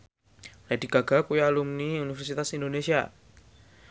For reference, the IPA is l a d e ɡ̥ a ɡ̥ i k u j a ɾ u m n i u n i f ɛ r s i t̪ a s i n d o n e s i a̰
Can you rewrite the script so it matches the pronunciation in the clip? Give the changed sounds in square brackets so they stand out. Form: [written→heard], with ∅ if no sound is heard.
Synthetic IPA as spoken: l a d [e→i] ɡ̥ a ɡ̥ [i→a] k u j a [ɾ→l] u m n i u n i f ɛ r s i t̪ a s i n d o n e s i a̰